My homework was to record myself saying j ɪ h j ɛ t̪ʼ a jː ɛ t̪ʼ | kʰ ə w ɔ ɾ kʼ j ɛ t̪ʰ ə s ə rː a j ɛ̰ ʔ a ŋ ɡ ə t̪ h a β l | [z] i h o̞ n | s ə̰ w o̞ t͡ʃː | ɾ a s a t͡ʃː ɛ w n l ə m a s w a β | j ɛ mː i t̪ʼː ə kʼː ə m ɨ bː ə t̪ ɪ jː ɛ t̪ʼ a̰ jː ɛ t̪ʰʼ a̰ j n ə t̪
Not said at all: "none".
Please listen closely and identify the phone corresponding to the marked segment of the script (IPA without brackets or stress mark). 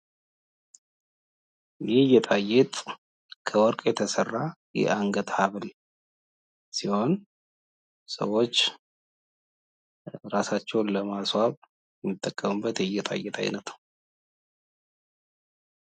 s